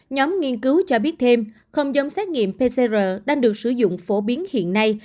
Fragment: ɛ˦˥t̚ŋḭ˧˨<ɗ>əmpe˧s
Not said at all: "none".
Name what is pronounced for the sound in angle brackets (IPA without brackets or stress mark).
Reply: none